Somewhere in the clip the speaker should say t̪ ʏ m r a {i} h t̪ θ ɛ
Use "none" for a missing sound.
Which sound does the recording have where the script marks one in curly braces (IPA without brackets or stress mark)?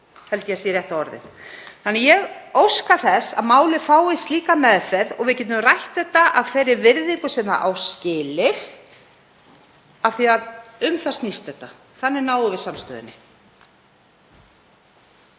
j